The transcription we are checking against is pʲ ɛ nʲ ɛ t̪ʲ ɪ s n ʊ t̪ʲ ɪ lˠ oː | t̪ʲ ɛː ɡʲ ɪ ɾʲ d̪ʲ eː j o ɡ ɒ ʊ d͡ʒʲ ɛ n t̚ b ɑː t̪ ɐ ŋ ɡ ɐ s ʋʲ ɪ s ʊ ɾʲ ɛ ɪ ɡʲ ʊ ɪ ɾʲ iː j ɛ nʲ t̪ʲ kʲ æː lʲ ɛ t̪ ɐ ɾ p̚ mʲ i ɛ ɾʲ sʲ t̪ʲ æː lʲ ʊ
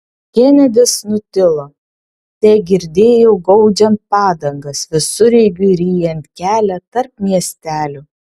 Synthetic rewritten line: kʲ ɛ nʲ ɛ d̪ʲ ɪ s n ʊ t̪ʲ ɪ lˠ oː | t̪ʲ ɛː ɡʲ ɪ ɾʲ d̪ʲ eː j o ɡ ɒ ʊ d͡ʒʲ ɛ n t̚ p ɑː d̪ ɐ ŋ ɡ ɐ s ʋʲ ɪ s ʊ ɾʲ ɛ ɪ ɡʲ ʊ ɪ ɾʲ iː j ɛ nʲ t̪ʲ kʲ æː lʲ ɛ t̪ ɐ ɾ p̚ mʲ i ɛ sʲ t̪ʲ æː lʲ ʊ